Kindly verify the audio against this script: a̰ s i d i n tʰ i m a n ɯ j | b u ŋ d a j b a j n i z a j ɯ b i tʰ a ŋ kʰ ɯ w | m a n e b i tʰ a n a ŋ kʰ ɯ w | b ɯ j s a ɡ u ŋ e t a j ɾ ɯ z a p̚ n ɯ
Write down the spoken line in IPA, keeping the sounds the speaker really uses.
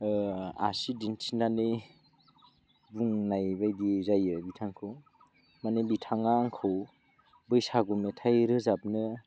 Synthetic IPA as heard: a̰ s i d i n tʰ i n a n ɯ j | b u ŋ n a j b a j d i z a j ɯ b i tʰ a ŋ kʰ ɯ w | m a n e b i tʰ a ŋ a ŋ kʰ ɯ w | b ɯ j s a ɡ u m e tʰ a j ɾ ɯ z a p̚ n ɯ